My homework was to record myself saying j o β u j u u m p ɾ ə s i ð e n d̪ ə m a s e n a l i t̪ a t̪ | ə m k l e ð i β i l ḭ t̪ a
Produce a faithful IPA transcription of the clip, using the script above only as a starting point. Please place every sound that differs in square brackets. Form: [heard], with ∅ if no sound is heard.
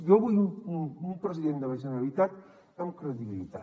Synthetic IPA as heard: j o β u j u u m p ɾ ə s i ð e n d̪ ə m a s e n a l i t̪ a t̪ | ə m k [ɾ] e ð i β i l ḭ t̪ a